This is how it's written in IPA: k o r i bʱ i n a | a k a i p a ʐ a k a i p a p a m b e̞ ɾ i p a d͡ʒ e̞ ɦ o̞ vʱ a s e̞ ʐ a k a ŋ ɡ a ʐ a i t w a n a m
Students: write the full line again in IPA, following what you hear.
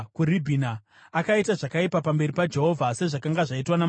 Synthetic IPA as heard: k u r i bʱ i n a | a k a i t a ʐ a k a i p a p a m b e̞ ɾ i p a d͡ʒ e̞ ɦ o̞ vʱ a s e̞ ʐ a k a ŋ ɡ a ʐ a i t w a n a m